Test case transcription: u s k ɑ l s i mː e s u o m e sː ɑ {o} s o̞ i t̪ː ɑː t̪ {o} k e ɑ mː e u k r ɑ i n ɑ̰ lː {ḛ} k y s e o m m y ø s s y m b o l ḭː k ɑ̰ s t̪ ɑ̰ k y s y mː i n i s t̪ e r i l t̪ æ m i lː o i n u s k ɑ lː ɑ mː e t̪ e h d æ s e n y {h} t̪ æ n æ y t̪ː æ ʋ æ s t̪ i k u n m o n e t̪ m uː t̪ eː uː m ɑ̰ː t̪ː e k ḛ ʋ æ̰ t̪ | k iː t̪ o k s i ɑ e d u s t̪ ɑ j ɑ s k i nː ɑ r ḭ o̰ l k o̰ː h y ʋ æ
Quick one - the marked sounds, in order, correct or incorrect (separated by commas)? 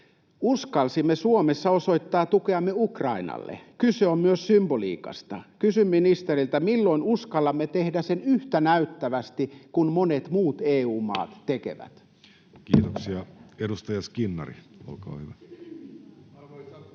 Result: correct, incorrect, correct, correct